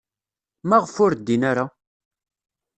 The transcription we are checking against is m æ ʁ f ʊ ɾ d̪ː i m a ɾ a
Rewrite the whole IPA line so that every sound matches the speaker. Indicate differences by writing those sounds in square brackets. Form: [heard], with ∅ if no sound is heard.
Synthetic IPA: m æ ʁ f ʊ ɾ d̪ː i [n] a ɾ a